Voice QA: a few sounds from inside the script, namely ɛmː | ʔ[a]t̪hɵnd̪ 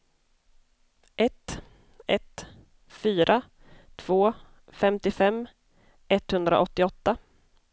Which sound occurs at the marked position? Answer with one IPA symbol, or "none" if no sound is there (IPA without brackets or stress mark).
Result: ɛ